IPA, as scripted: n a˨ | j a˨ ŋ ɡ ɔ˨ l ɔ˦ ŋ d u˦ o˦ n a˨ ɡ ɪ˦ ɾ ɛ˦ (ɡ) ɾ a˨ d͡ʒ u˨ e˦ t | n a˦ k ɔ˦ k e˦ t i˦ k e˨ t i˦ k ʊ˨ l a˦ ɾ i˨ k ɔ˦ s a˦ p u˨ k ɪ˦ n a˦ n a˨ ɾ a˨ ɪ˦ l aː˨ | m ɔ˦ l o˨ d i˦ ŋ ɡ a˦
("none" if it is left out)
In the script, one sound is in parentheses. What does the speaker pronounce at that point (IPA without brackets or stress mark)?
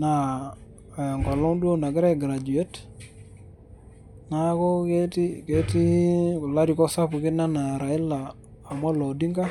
ɡ